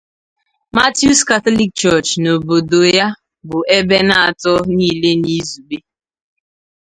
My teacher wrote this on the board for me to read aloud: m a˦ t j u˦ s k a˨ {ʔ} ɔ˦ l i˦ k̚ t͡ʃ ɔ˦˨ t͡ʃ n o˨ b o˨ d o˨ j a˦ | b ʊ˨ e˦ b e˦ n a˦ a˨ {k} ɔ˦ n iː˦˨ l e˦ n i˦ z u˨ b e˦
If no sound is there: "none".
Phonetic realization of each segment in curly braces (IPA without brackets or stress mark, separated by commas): t, t